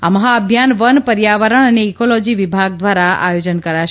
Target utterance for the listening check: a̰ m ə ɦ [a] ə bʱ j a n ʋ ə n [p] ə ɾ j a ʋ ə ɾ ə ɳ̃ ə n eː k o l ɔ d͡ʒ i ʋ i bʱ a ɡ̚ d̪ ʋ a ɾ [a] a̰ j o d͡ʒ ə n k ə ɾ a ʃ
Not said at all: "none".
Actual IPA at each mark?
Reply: a, p, a

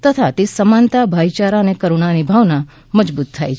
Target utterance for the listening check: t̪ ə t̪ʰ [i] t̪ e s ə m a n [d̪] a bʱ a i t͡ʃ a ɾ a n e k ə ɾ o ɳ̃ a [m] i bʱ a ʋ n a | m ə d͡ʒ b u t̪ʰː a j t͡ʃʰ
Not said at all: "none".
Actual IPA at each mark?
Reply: a, t̪, n

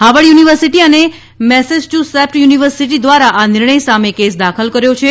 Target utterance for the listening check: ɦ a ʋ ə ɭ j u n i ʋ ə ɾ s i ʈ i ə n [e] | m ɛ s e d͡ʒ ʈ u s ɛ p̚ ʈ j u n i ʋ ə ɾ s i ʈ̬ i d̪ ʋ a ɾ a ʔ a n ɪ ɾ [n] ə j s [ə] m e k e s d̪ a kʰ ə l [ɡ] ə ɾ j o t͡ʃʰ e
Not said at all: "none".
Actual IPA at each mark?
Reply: e, ɳ, a, k

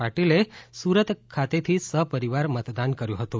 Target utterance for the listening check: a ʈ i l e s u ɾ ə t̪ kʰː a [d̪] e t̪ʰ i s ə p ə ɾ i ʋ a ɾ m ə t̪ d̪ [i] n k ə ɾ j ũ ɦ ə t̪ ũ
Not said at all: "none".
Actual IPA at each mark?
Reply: t̪, a

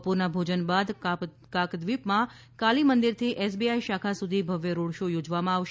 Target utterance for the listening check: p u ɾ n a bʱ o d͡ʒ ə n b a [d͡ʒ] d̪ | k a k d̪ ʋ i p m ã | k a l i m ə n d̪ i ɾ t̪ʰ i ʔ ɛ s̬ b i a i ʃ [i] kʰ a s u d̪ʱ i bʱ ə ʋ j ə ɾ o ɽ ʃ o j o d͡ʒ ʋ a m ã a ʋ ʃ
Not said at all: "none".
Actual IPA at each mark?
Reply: none, a

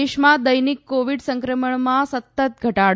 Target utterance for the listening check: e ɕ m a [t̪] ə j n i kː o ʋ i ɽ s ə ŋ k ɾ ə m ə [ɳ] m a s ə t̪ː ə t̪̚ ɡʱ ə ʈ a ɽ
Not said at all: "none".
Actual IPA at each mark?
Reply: d̪, ɳ

